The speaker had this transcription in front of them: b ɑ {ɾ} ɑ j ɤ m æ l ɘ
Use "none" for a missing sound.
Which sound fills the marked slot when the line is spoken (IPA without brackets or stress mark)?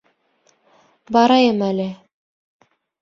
ɾ